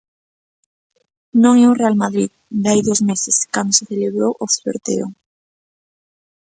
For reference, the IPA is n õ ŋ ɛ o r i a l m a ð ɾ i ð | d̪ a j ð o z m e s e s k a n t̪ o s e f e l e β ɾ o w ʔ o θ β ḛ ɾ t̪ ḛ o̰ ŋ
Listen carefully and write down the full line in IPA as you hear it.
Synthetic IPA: n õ ŋ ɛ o r e a l m a ð ɾ i ð | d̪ a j ð o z m e s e s k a n d̪ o s e θ e l e β ɾ o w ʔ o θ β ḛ ɾ t̪ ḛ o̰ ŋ

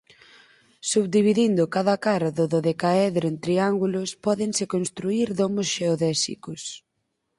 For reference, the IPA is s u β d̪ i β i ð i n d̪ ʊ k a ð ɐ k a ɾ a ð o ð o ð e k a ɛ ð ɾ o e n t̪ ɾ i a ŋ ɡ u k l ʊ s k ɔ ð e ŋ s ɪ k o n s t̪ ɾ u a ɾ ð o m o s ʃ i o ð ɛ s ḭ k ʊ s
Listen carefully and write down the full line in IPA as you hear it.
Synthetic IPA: s u β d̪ i β i ð i n d̪ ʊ k a ð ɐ k a ɾ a ð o ð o ð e k a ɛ ð ɾ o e n t̪ ɾ i a ŋ ɡ u l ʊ s p ɔ ð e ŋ s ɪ k o n s t̪ ɾ u i ɾ ð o m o s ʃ e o ð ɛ s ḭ k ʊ s

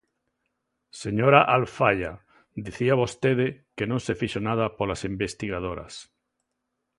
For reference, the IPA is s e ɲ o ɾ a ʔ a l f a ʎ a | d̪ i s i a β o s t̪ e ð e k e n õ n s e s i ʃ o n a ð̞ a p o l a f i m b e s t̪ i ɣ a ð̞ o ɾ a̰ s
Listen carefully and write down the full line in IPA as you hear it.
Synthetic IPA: s e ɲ o ɾ a ʔ a l f a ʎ a | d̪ i θ i a β o s t̪ e ð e k e n õ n s e f i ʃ o n a ð̞ a p o l a s i m b e s t̪ i ɣ a ð̞ o ɾ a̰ s

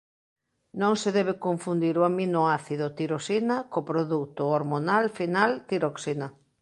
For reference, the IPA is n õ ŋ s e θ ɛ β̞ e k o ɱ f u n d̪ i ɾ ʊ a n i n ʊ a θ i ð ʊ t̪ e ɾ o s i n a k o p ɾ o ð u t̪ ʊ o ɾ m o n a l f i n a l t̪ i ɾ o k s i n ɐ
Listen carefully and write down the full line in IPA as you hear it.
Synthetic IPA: n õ ŋ s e ð ɛ β̞ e k o ɱ f u n d̪ i ɾ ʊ a m i n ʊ a θ i ð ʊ t̪ i ɾ o s i n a k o p ɾ o ð u t̪ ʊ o ɾ m o n a l f i n a l t̪ i ɾ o k s i n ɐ

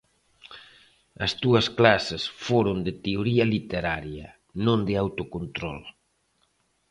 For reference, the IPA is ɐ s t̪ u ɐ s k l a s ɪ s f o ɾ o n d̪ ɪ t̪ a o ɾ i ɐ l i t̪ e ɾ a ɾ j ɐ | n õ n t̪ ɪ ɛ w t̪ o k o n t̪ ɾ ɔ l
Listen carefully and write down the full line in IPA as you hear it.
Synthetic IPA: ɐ s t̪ u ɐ s k l a s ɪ s f o ɾ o n d̪ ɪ t̪ e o ɾ i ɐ l i t̪ e ɾ a ɾ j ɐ | n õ n d̪ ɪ a w t̪ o k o n t̪ ɾ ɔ l

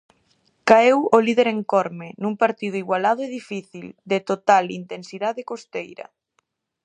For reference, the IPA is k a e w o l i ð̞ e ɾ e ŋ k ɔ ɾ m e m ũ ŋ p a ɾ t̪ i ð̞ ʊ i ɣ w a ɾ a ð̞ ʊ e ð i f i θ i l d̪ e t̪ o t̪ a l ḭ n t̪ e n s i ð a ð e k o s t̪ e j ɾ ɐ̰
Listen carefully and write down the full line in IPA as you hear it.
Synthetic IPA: k a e w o l i ð̞ e ɾ e ŋ k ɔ ɾ m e n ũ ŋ p a ɾ t̪ i ð̞ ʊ i ɣ w a l a ð̞ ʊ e ð i f i θ i l d̪ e t̪ o t̪ a l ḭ n t̪ e n s i ð a ð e k o s t̪ e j ɾ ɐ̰

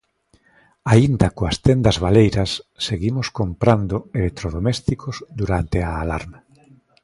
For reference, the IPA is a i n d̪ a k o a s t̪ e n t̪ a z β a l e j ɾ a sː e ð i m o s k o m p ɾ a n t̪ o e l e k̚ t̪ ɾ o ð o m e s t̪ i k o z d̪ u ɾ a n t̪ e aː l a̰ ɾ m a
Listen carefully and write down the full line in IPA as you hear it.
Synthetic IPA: a i n d̪ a k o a s t̪ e n d̪ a z β a l e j ɾ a sː e ɣ i m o s k o m p ɾ a n d̪ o e l e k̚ t̪ ɾ o ð o m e s t̪ i k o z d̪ u ɾ a n t̪ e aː l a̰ ɾ m a

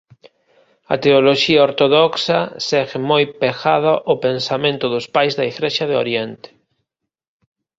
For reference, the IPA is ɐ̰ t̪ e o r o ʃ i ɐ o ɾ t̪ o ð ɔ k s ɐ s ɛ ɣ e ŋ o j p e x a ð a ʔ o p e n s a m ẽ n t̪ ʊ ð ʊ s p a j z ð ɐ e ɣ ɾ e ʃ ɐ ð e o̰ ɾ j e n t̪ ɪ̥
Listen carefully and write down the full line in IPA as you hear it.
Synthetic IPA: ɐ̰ t̪ e o l o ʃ i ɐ o ɾ t̪ o ð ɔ k s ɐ s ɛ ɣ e m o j p e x a ð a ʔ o p e n s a m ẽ n t̪ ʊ ð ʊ s p a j z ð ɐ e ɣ ɾ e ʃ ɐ ð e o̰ ɾ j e n t̪ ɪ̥

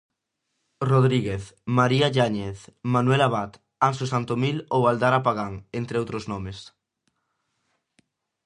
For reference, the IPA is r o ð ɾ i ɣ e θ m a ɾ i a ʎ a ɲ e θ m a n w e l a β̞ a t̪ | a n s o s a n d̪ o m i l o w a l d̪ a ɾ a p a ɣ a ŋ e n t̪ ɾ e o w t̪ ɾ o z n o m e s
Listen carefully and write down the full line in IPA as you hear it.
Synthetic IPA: r o ð ɾ i ɣ e θ m a ɾ i a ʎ a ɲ e θ m a n w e l a β̞ a t̪ | a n s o s a n t̪ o m i l o w a l d̪ a ɾ a p a ɣ a ŋ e n t̪ ɾ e o w t̪ ɾ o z n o m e s

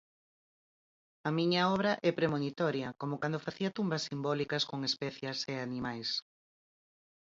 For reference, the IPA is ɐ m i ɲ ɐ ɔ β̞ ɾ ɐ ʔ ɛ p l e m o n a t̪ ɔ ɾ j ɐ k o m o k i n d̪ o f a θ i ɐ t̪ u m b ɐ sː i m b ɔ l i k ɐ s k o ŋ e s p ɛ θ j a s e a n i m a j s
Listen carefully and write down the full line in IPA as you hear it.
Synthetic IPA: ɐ m i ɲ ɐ ɔ β̞ ɾ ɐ ʔ ɛ p ɾ e m o n i t̪ ɔ ɾ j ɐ k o m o k a n d̪ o f a θ i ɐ t̪ u m b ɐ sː i m b ɔ l i k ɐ s k o ŋ e s p ɛ θ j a s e a n i m a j s

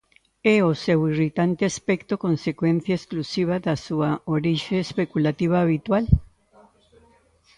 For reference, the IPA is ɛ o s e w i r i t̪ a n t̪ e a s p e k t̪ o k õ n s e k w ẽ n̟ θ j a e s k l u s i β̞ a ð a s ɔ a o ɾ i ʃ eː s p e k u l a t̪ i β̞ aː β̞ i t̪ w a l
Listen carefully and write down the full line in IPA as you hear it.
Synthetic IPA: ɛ o s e w i r i t̪ a n t̪ e a s p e k t̪ o k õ n s e k w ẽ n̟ θ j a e s k l u s i β̞ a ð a s u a o ɾ i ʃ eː s p e k u l a t̪ i β̞ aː β̞ i t̪ w a l

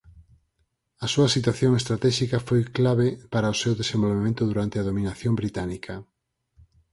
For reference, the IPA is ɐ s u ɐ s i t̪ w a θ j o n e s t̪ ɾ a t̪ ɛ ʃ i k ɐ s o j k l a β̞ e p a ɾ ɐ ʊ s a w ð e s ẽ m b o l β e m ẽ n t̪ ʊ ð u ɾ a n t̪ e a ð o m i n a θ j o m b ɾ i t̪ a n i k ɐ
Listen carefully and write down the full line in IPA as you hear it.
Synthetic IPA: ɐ s u ɐ s i t̪ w a θ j o ŋ e s t̪ ɾ a t̪ ɛ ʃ i k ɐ f o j k l a β̞ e p a ɾ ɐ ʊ s e w ð e s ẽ m b o l β e m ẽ n t̪ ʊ ð u ɾ a n t̪ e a ð o m i n a θ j o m b ɾ i t̪ a n i k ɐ

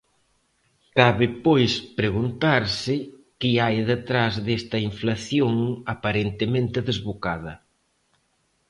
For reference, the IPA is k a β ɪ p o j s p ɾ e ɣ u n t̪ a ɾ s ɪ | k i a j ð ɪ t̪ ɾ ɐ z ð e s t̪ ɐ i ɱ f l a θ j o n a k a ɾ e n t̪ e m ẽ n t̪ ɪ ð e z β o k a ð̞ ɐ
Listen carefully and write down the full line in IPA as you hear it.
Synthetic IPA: k a β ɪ p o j s p ɾ e ɣ u n t̪ a ɾ s ɪ | k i a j ð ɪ t̪ ɾ a z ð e s t̪ ɐ i ɱ f l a θ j o ŋ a p a ɾ e n t̪ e m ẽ n t̪ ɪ ð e z β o k a ð̞ ɐ

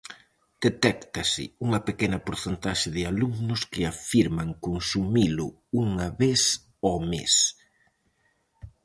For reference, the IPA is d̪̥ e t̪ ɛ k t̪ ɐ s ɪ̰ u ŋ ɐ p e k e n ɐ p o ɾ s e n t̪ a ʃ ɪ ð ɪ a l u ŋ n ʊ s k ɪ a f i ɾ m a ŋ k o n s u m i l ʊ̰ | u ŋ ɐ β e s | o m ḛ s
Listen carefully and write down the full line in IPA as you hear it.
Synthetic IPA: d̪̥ e t̪ ɛ k t̪ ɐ s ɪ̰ u ŋ ɐ p e k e n ɐ p o ɾ θ e n t̪ a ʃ ɪ ð ɪ a l u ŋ n ʊ s k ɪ a f i ɾ m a ŋ k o n s u m i l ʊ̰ | u ŋ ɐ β e s | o m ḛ s

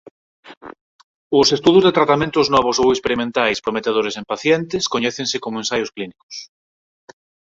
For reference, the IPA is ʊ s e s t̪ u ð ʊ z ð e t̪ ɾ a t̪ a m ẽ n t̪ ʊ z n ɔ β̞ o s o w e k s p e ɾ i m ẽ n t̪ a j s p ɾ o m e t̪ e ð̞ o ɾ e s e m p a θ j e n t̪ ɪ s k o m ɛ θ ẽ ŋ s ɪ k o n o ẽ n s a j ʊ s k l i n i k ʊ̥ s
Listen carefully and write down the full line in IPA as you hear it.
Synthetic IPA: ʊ s e s t̪ u ð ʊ z ð e t̪ ɾ a t̪ a m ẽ n t̪ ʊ z n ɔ β̞ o s o w e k s p e ɾ i m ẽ n t̪ a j s p ɾ o m e t̪ e ð̞ o ɾ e s e m p a θ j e n t̪ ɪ s k o ɲ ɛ θ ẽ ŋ s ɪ k o m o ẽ n s a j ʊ s k l i n i k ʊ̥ s

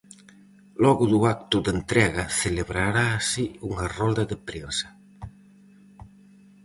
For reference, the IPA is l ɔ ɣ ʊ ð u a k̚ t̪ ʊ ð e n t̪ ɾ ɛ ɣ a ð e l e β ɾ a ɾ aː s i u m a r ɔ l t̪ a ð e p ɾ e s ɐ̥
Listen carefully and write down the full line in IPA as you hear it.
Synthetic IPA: l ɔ ɣ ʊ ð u a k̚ t̪ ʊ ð e n t̪ ɾ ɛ ɣ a θ e l e β ɾ a ɾ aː s i u ŋ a r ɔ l d̪ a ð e p ɾ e s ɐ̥

